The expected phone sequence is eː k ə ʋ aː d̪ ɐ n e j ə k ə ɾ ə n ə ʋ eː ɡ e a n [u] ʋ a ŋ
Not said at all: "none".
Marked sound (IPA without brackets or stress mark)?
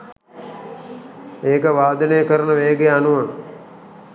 u